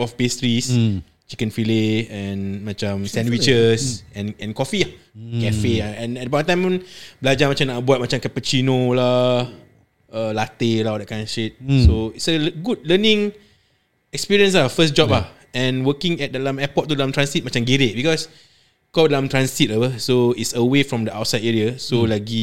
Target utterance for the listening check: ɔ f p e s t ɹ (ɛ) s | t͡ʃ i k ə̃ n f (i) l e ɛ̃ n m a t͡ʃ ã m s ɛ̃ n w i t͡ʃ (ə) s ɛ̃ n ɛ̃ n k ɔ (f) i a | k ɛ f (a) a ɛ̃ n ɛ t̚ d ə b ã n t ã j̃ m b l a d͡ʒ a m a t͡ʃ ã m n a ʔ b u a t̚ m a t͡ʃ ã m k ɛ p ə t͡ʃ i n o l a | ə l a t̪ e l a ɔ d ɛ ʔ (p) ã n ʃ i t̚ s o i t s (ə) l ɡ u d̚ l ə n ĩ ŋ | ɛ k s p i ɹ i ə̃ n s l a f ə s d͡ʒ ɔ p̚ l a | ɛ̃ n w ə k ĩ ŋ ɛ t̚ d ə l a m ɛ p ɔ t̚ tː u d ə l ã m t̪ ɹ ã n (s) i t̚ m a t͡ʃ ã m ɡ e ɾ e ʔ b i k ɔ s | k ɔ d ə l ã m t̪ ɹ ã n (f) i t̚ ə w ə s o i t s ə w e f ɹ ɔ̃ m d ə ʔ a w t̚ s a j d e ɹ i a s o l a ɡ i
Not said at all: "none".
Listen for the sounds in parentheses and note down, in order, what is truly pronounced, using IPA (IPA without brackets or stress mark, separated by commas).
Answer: i, i, ə, f, e, k, ə, s, s